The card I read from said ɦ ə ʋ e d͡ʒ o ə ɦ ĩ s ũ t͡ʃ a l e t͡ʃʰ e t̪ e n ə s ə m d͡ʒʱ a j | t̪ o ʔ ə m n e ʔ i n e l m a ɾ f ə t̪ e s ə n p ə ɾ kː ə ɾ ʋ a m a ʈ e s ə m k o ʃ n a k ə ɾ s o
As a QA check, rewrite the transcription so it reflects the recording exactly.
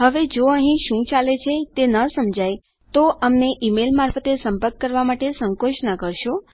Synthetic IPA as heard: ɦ ə ʋ e d͡ʒ o ə ɦ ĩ ʃ ũ t͡ʃ a l e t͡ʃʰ e t̪ e n ə s ə m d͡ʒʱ a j | t̪ o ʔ ə m n e ʔ i m e l m a ɾ f ə t̪ e s ə m p ə ɾ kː ə ɾ ʋ a m a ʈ e s ə ŋ k o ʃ n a k ə ɾ ʃ o